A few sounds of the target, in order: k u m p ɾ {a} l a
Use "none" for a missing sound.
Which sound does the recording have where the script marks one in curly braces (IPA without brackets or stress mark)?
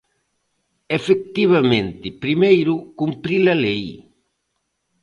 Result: i